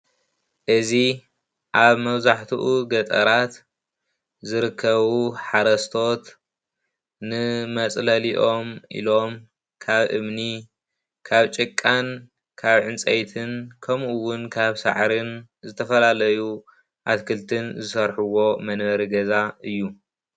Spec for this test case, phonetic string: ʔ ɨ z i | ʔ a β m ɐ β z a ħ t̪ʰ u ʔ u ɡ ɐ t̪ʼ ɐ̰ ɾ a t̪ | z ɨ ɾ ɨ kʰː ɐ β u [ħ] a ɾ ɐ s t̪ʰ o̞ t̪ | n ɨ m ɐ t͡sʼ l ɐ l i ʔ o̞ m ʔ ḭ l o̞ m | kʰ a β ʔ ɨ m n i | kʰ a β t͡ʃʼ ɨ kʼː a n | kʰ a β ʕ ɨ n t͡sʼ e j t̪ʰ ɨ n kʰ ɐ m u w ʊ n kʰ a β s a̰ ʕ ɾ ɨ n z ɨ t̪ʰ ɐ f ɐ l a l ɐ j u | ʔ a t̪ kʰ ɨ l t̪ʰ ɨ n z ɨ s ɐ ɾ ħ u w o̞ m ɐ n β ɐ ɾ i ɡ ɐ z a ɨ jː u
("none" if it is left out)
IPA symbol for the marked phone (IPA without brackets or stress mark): ħ